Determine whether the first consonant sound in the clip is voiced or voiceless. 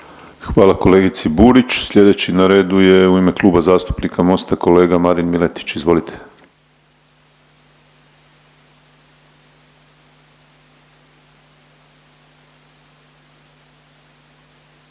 voiceless